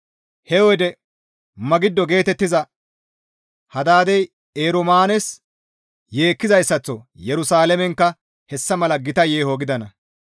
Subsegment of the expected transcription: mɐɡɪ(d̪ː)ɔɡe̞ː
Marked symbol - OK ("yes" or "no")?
yes